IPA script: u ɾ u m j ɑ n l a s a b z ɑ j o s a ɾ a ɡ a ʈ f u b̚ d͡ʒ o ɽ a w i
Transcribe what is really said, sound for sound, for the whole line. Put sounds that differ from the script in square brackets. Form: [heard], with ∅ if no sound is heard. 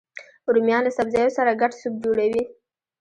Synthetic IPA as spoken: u ɾ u m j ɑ n l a s a b z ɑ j o s a ɾ a ɡ a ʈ [s] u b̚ d͡ʒ o ɽ a w i